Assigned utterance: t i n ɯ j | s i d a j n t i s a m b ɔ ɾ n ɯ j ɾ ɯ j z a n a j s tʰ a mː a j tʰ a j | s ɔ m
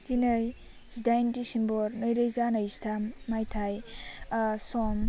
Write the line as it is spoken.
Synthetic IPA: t i n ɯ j | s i d a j n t i s i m b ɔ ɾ n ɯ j ɾ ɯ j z a n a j s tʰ a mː a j tʰ a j | s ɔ m